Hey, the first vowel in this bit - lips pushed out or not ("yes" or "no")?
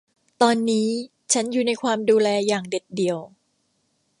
yes